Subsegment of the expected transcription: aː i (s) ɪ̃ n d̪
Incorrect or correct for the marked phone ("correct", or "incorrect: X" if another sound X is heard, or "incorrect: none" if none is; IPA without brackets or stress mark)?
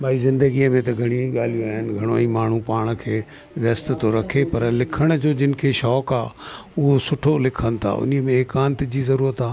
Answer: incorrect: z